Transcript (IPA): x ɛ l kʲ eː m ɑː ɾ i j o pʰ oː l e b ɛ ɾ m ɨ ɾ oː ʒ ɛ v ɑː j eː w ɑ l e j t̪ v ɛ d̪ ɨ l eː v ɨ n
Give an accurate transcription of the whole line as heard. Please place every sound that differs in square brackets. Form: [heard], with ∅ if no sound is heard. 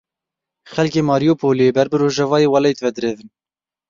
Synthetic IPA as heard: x ɛ l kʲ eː m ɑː ɾ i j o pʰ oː l e b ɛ ɾ [b] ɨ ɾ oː ʒ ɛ v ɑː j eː w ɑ l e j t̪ v ɛ d̪ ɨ [ɾ] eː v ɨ n